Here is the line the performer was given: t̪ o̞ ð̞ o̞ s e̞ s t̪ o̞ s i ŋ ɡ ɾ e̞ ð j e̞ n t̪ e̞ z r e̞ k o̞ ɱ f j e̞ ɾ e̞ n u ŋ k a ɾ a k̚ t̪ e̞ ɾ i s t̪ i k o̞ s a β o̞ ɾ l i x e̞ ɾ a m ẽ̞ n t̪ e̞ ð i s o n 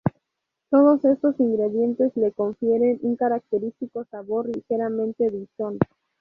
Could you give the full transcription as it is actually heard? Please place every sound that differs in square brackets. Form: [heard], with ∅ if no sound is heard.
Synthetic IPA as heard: t̪ o̞ ð̞ o̞ s e̞ s t̪ o̞ s i ŋ ɡ ɾ e̞ ð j e̞ n t̪ e̞ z [l] e̞ k o̞ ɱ f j e̞ ɾ e̞ n u ŋ k a ɾ a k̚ t̪ e̞ ɾ i s t̪ i k o̞ s a β o̞ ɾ l i x e̞ ɾ a m ẽ̞ n t̪ e̞ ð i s o n